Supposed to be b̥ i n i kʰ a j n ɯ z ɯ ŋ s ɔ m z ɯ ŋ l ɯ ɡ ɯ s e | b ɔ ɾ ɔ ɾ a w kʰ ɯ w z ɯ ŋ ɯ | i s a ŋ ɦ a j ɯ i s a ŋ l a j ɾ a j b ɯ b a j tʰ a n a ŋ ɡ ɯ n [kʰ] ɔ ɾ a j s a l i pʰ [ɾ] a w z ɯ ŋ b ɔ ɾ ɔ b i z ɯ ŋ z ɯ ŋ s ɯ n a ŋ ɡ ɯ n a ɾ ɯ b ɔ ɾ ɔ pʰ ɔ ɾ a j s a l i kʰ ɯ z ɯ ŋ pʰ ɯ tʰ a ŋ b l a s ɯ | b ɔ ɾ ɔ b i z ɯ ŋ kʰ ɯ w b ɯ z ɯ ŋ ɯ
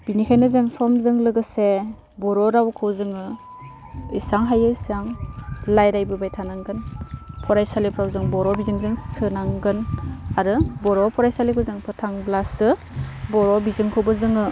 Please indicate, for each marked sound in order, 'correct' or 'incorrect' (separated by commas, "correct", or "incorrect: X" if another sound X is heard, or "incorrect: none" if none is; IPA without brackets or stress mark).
incorrect: pʰ, correct